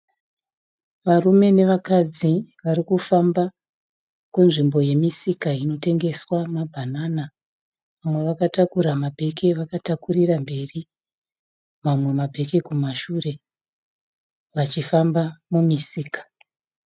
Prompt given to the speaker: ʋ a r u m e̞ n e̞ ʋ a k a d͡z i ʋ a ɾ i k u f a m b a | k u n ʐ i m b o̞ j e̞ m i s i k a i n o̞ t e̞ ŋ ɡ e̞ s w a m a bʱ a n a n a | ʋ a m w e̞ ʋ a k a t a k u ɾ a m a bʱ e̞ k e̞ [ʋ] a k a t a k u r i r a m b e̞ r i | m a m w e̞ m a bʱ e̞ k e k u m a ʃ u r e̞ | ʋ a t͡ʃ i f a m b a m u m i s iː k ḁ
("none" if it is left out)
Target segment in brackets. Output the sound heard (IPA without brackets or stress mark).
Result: ʋ